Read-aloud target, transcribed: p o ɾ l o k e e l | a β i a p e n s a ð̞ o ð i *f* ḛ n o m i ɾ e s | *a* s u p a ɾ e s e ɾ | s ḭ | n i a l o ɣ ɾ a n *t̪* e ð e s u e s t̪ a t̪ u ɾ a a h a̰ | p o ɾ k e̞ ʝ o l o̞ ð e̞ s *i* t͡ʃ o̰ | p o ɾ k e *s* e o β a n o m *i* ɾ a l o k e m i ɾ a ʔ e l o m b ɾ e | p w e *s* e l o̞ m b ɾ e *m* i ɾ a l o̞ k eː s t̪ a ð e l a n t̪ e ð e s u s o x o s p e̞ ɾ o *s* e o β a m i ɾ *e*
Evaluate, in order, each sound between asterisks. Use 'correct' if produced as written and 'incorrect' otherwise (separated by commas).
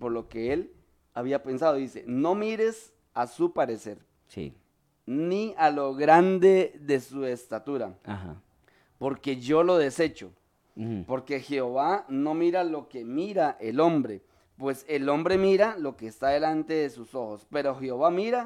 incorrect, correct, incorrect, incorrect, incorrect, correct, correct, correct, incorrect, incorrect